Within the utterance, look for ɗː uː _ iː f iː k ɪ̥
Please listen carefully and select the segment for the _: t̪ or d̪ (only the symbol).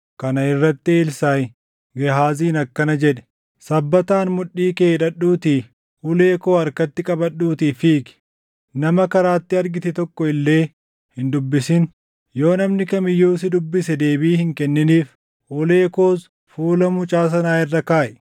t̪